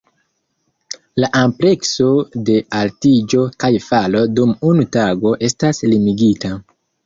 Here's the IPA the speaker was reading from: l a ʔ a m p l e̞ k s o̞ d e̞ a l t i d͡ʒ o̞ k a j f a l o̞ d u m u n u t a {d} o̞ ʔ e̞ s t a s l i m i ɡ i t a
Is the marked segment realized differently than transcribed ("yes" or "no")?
yes